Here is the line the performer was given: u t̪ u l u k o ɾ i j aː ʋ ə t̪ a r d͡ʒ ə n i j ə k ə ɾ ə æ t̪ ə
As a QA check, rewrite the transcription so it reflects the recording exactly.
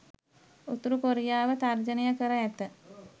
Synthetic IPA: u t̪ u ɾ u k o ɾ i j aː ʋ ə t̪ a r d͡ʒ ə n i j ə k ə ɾ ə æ t̪ ə